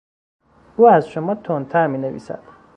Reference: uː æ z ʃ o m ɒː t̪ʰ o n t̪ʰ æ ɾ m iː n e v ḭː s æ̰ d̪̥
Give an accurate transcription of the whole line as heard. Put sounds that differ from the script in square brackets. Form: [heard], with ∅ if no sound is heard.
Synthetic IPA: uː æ z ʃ o m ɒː t̪ʰ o n t̪ʰ æ ɾ m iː n e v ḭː s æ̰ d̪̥